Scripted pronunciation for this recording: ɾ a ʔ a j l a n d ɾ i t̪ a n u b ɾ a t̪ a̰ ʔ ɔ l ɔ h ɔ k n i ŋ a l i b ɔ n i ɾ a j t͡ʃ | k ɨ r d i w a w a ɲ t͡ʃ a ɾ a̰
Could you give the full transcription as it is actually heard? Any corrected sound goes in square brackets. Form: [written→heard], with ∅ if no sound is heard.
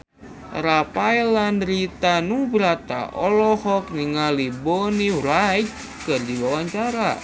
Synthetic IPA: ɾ a [ʔ→p] a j l a n d ɾ i t̪ a n u b ɾ a t̪ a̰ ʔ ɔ l ɔ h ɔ k n i ŋ a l i b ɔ n i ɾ a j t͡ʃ | k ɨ r d i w a w a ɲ t͡ʃ a ɾ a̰

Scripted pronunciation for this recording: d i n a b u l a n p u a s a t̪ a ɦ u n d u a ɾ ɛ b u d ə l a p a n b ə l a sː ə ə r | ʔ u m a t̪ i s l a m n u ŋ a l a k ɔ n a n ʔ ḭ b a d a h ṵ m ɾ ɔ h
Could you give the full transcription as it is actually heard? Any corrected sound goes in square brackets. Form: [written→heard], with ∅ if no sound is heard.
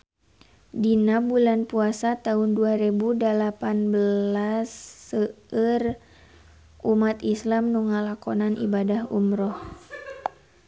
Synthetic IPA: d i n a b u l a n p u a s a t̪ a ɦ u n d u a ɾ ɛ b u d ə l a p a n b ə l a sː ə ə r | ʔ u m a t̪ i s l a m n u ŋ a l a k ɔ n a n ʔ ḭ b a d a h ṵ m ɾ ɔ h

